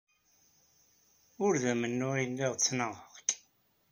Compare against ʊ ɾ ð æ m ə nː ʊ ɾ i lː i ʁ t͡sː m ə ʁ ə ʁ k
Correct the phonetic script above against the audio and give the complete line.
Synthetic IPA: ʊ ɾ ð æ m ə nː ʊ ɾ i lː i ʁ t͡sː n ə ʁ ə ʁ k